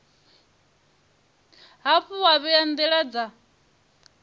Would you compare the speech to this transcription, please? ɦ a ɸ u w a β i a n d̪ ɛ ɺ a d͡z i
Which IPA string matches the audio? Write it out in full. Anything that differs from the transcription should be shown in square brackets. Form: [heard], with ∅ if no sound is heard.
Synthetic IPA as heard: ɦ a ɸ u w a β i a n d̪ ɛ ɺ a d͡z [a]